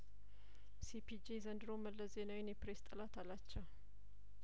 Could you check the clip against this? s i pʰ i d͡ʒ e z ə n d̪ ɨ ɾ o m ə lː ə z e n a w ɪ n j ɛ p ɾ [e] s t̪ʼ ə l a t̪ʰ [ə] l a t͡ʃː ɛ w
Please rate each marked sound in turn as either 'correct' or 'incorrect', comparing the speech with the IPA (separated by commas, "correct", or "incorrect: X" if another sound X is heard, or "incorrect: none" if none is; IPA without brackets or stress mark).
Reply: correct, incorrect: a